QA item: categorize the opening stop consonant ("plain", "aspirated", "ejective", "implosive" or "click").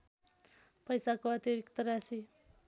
plain